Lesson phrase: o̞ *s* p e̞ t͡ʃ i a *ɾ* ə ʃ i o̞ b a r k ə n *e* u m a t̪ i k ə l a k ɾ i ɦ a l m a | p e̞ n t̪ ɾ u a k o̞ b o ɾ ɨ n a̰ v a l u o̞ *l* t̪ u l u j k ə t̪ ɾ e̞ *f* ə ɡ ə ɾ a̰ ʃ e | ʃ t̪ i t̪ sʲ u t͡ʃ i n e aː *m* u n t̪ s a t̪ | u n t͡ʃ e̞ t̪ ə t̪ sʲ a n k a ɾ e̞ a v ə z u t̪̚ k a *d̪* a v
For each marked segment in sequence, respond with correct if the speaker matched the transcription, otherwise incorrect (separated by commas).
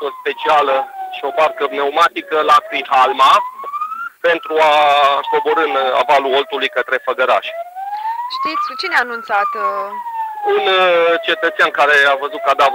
correct, incorrect, correct, correct, correct, incorrect, correct